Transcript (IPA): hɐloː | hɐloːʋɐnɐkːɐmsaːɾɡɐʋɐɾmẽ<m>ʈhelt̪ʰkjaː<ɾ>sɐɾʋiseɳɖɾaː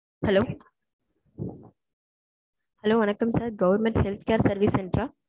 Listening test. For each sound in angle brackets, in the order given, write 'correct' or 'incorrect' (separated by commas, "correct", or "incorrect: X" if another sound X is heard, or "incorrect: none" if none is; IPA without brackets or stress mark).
incorrect: ɳ, correct